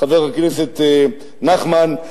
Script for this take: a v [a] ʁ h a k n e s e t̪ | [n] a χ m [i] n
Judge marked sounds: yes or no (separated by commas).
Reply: no, yes, no